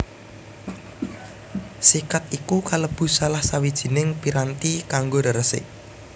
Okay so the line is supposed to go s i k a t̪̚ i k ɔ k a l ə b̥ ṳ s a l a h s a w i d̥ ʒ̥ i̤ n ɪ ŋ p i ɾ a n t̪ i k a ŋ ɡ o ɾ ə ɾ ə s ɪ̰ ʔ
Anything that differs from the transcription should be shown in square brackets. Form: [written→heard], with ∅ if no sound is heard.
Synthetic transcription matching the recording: s i k a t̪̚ i k [ɔ→u] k a l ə b̥ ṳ s a l a h s a w i d̥ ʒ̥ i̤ n ɪ ŋ p i ɾ a n t̪ i k a ŋ ɡ o ɾ ə ɾ ə s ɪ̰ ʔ